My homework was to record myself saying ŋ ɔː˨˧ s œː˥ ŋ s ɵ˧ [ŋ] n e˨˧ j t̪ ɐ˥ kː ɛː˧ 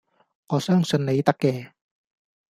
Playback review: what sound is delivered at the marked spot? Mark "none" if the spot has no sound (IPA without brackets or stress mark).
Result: n